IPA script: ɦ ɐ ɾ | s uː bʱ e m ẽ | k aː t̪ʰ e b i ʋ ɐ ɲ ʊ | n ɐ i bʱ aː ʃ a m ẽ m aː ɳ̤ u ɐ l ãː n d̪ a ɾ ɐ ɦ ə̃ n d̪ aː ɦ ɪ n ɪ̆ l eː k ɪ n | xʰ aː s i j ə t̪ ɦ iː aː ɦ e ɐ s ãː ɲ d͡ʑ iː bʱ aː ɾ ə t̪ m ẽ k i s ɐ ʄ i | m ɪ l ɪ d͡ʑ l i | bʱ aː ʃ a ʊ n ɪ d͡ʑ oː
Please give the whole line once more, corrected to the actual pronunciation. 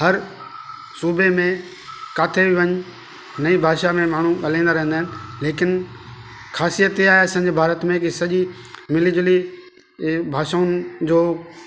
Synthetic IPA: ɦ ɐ ɾ | s uː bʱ e m ẽ | k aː t̪ʰ e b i ʋ ɐ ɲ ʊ | n ɐ i bʱ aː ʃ a m ẽ m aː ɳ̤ u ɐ l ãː n d̪ a ɾ ɐ ɦ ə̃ n d̪ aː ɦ ɪ n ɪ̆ l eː k ɪ n | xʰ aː s i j ə t̪ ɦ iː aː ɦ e ɐ s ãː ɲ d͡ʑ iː bʱ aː ɾ ə t̪ m ẽ k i s ɐ ʄ i | m ɪ l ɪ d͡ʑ l i | bʱ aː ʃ a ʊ n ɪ d͡ʑ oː